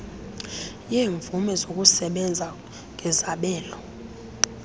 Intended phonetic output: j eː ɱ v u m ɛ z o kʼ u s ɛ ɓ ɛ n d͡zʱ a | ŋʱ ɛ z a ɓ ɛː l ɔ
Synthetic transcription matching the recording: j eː ɱ v u m ɛ z o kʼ u s ɛ ɓ ɛ n d͡zʱ a | ŋʱ ɛ z a ɓ ɛː l ɔ